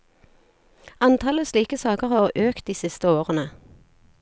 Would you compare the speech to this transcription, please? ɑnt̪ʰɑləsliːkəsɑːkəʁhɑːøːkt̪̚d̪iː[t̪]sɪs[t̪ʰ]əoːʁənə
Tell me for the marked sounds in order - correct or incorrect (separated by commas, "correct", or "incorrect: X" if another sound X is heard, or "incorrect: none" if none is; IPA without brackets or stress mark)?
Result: incorrect: none, incorrect: t̪